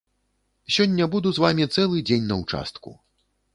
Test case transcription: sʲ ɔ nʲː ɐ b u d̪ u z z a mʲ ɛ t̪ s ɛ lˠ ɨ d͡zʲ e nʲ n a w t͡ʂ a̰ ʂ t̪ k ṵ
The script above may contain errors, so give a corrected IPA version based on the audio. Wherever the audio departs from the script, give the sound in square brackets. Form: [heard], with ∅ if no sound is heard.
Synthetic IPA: sʲ ɔ nʲː ɐ b u d̪ u z [v] a mʲ [i] t̪ s ɛ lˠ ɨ d͡zʲ e nʲ n [ɐ] w t͡ʂ a̰ [s] t̪ k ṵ